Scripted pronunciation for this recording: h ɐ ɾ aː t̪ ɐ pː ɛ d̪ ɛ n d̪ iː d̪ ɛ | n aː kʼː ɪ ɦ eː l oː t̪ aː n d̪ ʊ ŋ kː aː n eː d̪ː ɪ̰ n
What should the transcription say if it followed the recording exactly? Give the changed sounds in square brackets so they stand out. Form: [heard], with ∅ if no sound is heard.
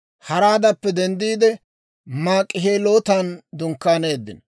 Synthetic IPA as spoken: h ɐ ɾ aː [d̪] ɐ pː ɛ d̪ ɛ n d̪ iː d̪ ɛ | [m] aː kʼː ɪ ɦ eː l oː t̪ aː n d̪ ʊ ŋ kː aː n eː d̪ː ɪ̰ n